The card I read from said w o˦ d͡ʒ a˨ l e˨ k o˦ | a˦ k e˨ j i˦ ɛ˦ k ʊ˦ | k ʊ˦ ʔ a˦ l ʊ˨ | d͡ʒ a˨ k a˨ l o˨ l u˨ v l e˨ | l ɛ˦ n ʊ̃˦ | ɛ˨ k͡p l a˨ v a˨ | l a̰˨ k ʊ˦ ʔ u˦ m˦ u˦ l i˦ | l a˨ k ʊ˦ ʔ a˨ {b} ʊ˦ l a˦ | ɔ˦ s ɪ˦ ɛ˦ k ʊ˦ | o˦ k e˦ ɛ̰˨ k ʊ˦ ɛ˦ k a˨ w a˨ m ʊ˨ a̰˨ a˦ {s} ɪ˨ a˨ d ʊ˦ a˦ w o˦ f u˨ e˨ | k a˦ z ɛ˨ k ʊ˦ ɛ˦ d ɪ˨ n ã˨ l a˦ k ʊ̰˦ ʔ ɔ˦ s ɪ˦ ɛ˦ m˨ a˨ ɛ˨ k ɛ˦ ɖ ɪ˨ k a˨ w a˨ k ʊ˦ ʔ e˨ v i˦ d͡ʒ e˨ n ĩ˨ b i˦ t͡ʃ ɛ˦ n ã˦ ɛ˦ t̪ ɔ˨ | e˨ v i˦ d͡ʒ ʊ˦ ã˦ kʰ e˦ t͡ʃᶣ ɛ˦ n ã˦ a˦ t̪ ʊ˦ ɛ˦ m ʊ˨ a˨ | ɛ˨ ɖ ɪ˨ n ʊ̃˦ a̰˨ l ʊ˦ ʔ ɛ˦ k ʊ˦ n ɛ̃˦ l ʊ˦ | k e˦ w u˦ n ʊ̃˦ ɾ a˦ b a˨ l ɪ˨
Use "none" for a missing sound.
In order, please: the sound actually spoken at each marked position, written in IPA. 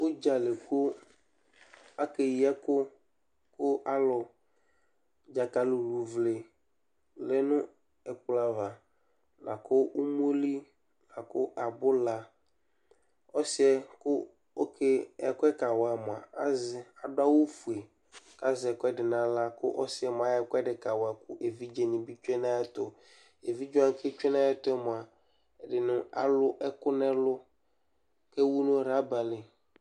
b, z

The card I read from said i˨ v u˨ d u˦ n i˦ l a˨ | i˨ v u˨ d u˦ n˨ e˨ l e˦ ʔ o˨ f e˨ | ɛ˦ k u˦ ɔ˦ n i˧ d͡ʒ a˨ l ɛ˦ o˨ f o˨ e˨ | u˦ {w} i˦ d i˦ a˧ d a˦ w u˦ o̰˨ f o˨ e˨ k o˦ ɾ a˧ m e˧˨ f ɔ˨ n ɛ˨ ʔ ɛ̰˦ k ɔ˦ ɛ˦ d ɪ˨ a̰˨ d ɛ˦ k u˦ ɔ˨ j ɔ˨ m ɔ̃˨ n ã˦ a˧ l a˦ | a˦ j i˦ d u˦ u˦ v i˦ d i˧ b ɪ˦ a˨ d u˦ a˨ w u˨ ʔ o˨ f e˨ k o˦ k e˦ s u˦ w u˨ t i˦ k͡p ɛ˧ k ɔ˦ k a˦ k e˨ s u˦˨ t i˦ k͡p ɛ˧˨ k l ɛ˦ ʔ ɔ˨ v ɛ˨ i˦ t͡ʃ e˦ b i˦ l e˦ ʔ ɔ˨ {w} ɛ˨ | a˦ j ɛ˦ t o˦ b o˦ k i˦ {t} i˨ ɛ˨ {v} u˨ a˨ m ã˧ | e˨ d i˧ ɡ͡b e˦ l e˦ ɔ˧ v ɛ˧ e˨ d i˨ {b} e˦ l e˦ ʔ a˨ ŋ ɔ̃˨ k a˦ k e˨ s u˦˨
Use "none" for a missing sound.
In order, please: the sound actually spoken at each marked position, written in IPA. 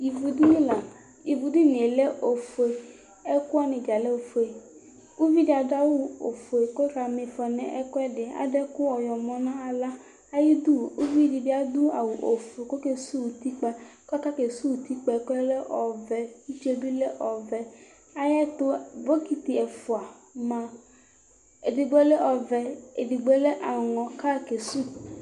v, v, t, f, ɡ͡b

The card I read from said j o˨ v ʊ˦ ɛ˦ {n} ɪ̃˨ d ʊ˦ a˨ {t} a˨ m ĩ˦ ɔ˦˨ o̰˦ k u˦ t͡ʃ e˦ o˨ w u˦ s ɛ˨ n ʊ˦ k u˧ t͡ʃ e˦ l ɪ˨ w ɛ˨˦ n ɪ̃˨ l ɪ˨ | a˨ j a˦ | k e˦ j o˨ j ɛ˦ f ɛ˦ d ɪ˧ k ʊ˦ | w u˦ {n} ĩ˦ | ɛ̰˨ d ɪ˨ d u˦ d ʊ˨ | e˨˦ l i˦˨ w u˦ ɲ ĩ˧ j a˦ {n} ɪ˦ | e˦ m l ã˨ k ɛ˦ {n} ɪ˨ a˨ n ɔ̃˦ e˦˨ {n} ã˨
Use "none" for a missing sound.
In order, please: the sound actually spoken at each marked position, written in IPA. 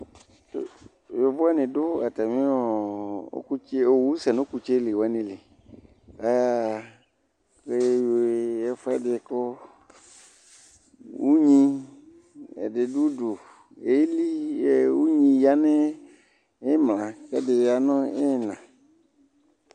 n, t, ɲ, n, d, n

